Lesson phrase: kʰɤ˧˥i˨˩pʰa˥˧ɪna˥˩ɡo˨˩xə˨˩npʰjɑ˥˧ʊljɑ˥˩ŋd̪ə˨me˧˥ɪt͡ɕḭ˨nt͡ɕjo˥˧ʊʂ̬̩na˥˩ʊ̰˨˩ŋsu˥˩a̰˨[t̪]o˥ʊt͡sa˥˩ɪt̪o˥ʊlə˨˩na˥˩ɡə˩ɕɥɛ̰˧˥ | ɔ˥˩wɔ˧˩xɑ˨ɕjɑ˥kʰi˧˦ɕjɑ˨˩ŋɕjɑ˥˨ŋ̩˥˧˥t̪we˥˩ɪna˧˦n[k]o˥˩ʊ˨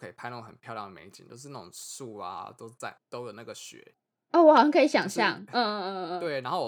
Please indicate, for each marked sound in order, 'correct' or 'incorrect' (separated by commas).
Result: correct, incorrect